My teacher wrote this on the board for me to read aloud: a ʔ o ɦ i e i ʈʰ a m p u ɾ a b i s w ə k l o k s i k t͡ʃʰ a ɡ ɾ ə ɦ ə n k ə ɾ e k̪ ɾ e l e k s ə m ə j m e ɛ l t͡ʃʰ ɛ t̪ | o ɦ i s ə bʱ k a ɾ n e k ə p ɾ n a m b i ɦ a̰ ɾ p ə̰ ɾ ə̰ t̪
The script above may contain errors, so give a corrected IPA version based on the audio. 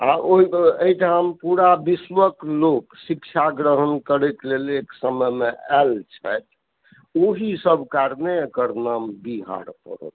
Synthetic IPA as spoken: a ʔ o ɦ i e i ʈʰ a m p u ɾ a b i s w ə k l o k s i k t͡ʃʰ a ɡ ɾ ə ɦ ə n k ə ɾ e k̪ l e l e k s ə m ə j m e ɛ l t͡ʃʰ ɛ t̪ | o ɦ i s ə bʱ k a ɾ n e k ə ɾ n a m b i ɦ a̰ ɾ p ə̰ ɾ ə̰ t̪